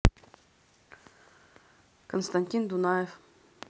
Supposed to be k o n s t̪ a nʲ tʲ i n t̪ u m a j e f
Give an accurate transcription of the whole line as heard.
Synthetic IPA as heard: k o n s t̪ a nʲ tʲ i n d̪ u n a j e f